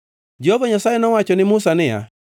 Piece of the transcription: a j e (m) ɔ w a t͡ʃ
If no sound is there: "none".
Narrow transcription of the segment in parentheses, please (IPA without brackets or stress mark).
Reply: n